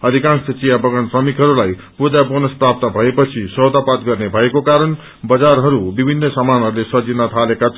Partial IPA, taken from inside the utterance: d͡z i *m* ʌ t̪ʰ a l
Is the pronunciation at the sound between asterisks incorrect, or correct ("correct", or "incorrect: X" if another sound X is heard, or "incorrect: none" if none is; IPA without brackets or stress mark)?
incorrect: n